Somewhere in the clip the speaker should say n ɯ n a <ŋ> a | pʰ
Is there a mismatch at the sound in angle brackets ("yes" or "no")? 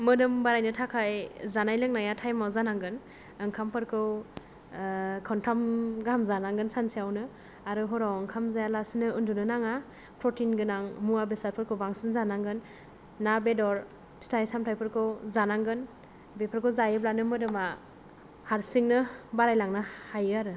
no